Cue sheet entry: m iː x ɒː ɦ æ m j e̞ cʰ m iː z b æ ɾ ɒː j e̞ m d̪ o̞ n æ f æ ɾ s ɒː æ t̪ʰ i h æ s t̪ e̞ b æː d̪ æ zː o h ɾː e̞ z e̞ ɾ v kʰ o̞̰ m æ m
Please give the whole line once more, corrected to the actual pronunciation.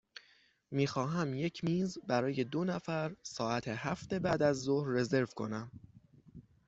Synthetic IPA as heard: m iː x ɒː ɦ æ m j e̞ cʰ m iː z b æ ɾ ɒː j e̞ d̪ o̞ n æ f æ ɾ s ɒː æ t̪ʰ e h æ f t̪ e̞ b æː d̪ æ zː o h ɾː e̞ z e̞ ɾ v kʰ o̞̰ n æ m